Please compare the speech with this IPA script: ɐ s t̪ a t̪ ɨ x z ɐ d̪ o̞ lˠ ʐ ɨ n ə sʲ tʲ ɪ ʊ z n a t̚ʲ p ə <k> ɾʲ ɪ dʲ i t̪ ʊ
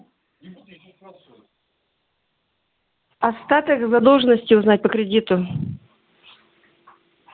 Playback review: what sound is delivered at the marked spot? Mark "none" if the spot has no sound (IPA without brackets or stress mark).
k